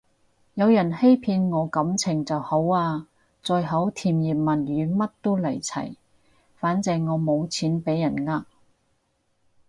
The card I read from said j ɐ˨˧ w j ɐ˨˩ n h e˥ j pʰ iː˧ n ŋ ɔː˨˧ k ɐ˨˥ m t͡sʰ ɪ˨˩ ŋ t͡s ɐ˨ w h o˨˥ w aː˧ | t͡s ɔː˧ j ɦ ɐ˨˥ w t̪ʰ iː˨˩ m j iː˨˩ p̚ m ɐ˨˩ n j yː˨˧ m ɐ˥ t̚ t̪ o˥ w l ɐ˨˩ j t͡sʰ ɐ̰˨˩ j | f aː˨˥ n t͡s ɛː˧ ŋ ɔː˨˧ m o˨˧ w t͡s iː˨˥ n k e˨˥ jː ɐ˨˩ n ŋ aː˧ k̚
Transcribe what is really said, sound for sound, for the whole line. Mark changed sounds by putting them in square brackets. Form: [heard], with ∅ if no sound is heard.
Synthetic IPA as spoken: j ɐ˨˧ w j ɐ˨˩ n h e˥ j pʰ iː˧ n ŋ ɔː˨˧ k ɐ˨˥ m t͡sʰ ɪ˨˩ ŋ t͡s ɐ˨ w h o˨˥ w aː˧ | t͡s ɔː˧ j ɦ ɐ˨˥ w t̪ʰ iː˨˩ m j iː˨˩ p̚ m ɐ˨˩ n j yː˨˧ m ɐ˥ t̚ t̪ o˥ w l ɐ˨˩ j t͡sʰ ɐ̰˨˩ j | f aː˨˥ n t͡s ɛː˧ ŋ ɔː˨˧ m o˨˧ w [t͡sʰ] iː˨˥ n [p] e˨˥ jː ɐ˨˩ n ŋ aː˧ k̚